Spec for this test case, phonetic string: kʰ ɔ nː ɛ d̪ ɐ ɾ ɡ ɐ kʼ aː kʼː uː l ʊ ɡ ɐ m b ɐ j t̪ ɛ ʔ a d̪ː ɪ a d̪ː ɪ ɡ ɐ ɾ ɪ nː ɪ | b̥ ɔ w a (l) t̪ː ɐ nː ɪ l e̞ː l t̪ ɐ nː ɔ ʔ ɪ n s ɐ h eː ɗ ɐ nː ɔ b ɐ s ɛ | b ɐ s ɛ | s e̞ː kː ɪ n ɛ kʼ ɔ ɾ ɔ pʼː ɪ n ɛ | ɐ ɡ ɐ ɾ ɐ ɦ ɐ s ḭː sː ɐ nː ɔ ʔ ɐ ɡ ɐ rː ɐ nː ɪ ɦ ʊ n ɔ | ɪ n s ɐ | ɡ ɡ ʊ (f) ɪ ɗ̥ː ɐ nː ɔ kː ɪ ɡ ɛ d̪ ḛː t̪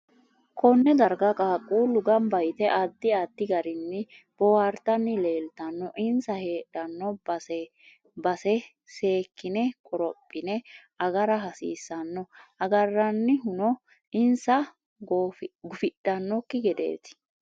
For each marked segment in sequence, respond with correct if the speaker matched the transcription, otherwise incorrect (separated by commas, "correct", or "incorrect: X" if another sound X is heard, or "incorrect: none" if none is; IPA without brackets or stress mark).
incorrect: ɾ, correct